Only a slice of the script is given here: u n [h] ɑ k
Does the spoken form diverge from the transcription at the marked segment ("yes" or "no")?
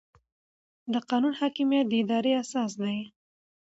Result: no